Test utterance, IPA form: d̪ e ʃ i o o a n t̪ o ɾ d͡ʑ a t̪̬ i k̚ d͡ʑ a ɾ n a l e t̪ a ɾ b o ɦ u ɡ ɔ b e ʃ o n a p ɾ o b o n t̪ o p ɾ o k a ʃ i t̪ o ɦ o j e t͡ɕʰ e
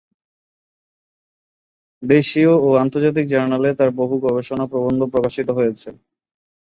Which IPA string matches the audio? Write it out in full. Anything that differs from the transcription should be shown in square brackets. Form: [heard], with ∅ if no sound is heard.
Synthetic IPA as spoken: d̪ e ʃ i o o a n t̪ o ɾ d͡ʑ a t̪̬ i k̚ d͡ʑ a ɾ n a l e t̪ a ɾ b o ɦ u ɡ ɔ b e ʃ o n a p ɾ o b o n [d̪] o p ɾ o k a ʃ i t̪ o ɦ o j e t͡ɕʰ e